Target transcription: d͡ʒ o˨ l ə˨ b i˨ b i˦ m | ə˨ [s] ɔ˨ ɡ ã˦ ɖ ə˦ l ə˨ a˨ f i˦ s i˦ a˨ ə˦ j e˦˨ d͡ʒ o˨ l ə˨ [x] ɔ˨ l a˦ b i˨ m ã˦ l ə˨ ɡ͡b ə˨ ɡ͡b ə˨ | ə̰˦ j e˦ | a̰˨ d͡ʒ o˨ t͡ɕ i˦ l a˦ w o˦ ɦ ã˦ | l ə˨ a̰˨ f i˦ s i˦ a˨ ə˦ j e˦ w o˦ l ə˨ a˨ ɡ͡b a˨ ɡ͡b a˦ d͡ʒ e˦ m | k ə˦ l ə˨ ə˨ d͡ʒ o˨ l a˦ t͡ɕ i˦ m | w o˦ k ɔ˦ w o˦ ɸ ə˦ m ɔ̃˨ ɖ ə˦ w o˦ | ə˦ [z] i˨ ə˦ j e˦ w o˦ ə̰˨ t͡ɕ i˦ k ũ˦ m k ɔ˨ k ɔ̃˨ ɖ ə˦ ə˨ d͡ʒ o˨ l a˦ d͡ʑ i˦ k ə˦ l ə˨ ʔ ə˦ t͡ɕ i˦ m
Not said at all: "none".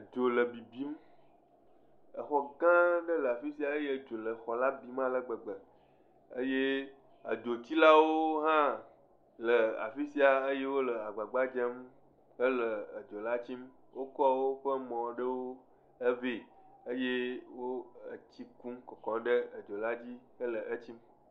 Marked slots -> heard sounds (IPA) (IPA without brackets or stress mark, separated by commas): x, x, v